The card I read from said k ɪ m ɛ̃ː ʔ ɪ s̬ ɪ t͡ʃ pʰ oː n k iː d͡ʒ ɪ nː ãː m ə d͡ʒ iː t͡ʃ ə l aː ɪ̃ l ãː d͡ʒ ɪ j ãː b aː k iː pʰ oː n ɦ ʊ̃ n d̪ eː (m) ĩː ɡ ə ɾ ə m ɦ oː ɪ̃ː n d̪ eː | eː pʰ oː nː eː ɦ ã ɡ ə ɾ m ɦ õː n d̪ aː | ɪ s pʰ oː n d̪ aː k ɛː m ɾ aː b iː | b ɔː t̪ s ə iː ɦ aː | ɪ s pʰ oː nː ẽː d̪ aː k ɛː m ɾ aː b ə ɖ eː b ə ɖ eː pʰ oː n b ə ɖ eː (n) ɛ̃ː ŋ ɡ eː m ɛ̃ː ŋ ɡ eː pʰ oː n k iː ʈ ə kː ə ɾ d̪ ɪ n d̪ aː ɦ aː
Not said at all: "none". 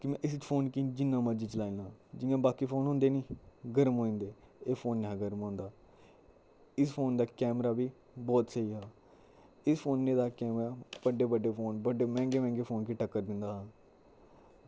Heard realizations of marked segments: n, m

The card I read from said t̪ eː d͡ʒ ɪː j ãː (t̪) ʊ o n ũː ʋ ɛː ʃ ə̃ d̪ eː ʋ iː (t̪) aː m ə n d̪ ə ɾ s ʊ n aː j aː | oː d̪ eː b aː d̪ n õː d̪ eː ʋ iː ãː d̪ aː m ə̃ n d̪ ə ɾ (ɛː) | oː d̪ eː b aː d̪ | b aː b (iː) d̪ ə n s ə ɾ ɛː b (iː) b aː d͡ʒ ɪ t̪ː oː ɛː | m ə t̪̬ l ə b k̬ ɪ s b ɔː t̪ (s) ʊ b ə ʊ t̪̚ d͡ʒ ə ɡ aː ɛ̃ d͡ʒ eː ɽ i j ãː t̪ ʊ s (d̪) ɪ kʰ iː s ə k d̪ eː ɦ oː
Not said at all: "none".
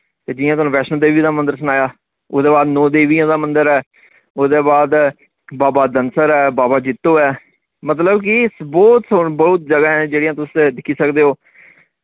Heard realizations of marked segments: t̪, d̪, ɛː, aː, aː, s, d̪

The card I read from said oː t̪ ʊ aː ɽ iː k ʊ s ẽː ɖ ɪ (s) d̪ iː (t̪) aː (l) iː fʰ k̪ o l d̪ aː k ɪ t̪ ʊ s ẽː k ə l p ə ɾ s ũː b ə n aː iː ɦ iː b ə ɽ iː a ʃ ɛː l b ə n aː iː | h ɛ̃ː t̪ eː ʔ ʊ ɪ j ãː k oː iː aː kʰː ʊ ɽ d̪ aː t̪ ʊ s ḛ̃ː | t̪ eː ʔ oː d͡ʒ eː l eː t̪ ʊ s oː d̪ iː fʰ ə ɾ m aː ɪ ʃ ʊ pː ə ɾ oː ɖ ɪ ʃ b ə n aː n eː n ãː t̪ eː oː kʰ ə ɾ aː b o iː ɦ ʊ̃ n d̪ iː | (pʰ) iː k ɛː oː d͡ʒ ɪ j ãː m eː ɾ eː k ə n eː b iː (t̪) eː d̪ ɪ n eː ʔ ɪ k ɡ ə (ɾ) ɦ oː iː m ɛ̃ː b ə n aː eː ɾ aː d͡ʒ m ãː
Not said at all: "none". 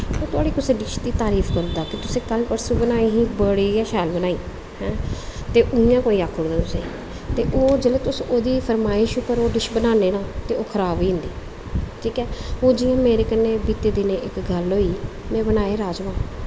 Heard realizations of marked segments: ʃ, t̪, ɾ, ʈʰ, t̪, l

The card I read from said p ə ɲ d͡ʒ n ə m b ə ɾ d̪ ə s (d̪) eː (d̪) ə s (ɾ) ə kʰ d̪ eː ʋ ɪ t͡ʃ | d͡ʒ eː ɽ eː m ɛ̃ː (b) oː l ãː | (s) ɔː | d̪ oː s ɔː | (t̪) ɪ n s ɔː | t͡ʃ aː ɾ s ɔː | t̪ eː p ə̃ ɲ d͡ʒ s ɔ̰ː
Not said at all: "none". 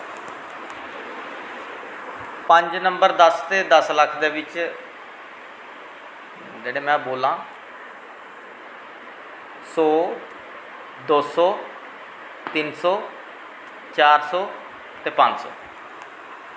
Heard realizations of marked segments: t̪, d̪, l, b, s, t̪

